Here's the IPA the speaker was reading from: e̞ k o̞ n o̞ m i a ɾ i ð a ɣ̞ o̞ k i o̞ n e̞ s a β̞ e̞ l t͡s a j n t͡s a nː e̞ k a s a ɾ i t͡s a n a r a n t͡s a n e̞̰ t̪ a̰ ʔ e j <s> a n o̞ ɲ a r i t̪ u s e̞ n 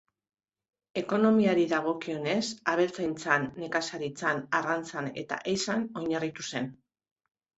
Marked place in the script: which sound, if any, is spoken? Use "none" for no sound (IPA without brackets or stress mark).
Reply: s